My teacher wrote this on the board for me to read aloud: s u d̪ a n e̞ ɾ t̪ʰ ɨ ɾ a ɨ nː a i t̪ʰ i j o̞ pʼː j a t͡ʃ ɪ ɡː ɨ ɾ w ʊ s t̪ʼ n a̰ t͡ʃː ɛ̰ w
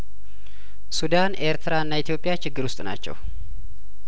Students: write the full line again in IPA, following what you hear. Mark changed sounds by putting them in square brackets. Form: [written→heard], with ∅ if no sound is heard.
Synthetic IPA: s u d̪ a n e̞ ɾ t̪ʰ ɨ ɾ a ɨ nː a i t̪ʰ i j o̞ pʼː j a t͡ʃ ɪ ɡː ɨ ɾ w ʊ s t̪ʼ n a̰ t͡ʃː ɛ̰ w